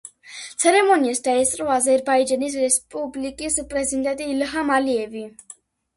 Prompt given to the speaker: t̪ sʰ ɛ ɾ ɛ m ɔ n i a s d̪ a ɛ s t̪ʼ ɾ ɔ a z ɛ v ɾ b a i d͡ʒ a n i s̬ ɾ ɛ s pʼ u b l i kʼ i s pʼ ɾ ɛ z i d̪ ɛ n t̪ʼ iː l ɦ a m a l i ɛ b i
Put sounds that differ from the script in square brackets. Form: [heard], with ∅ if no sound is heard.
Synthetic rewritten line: t̪ sʰ ɛ ɾ ɛ m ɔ n i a s d̪ a ɛ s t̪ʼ ɾ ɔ a z ɛ [∅] ɾ b a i d͡ʒ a n i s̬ ɾ ɛ s pʼ u b l i kʼ i s pʼ ɾ ɛ z i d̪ ɛ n t̪ʼ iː l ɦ a m a l i ɛ [v] i